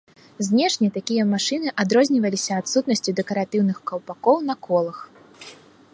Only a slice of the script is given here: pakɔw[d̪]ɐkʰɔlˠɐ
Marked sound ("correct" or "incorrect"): incorrect